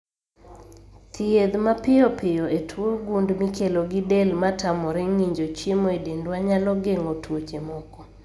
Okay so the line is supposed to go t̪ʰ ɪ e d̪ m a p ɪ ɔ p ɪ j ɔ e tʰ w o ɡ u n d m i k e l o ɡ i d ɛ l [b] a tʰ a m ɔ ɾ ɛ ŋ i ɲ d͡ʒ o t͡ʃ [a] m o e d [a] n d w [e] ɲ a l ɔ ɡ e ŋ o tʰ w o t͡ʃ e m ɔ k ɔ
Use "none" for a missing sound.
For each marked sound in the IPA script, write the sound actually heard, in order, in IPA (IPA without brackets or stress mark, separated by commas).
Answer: m, e, e, a